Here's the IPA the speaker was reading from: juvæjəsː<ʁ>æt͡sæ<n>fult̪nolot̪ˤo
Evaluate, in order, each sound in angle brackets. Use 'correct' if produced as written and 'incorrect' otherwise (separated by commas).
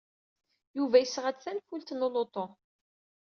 correct, correct